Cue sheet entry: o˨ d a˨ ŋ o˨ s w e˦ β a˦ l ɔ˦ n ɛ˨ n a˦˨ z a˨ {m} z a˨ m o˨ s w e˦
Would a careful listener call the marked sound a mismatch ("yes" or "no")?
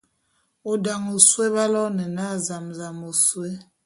no